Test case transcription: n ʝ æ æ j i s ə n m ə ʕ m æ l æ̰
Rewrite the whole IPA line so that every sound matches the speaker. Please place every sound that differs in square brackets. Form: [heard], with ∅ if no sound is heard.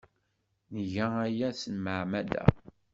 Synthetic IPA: n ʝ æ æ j [æ] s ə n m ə ʕ m æ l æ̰